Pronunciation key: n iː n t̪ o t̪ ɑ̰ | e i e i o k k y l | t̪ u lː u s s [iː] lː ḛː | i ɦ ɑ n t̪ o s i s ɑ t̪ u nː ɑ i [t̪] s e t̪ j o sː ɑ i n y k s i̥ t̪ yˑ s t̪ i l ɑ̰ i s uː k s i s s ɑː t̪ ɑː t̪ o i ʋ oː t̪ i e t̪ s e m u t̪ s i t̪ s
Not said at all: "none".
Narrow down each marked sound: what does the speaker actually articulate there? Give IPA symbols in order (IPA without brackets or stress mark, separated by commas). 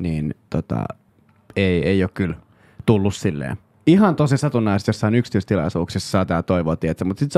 i, none